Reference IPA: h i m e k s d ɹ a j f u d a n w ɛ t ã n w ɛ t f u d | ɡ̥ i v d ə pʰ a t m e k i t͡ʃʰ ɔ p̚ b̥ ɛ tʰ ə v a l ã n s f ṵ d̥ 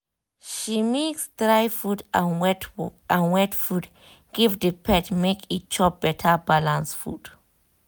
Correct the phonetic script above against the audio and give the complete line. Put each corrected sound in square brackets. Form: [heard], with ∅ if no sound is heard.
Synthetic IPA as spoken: [ʃ] i m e k s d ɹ a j f u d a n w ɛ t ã n w ɛ t f u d | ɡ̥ i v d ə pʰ [ɛ] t m e k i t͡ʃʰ ɔ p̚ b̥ ɛ tʰ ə [b] a l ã n s f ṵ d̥